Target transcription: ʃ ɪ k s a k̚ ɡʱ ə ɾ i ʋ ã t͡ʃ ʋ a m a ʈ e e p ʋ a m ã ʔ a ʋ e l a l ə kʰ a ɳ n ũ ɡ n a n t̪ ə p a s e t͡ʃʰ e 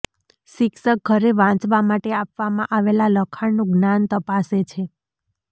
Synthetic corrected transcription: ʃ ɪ k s ə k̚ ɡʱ ə ɾ e ʋ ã t͡ʃ ʋ a m a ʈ e a p ʋ a m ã ʔ a ʋ e l a l ə kʰ a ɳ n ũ ɡ n a n t̪ ə p a s e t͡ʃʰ e